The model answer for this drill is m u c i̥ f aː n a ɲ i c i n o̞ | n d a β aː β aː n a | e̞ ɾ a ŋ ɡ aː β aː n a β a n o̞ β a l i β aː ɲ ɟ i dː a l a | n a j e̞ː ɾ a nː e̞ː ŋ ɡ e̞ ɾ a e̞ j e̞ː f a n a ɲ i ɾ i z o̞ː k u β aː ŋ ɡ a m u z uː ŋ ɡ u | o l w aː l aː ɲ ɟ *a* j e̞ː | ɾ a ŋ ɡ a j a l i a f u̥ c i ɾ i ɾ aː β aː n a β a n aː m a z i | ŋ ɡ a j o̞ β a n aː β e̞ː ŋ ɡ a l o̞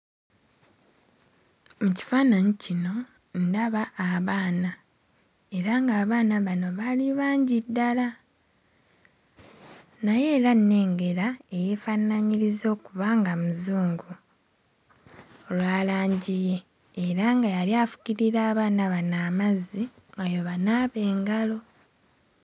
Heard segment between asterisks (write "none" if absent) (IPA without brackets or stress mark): i